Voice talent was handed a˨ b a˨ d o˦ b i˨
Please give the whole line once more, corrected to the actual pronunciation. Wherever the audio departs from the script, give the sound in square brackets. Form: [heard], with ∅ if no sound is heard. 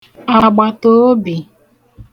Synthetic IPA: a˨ [ɡ͡b] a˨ [t] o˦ b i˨

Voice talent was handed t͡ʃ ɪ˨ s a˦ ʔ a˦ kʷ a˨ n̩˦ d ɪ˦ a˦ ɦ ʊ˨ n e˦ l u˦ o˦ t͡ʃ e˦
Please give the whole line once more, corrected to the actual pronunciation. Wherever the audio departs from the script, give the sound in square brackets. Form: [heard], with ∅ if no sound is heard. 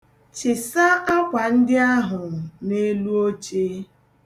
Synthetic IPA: t͡ʃ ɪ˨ s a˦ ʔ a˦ kʷ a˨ n̩˦ d ɪ˦ a˦ ɦ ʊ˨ n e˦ l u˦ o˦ t͡ʃ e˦

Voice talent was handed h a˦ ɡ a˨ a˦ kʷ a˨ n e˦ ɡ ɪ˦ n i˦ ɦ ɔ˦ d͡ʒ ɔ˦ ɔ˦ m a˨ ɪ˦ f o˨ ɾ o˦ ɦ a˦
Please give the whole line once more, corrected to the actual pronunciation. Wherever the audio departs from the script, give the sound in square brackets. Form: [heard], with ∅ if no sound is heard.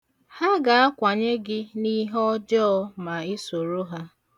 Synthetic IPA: h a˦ ɡ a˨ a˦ kʷ a˨ [ɲ] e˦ ɡ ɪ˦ n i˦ ɦ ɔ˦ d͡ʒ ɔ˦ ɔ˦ m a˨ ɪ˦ [s] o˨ ɾ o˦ ɦ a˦

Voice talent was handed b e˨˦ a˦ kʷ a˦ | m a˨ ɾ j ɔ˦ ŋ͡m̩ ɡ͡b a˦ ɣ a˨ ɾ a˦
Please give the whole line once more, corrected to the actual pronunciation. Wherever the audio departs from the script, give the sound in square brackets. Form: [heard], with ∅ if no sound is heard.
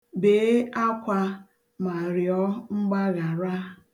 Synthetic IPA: b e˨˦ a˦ kʷ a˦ | m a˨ ɾ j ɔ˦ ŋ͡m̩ ɡ͡b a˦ ɣ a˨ ɾ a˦

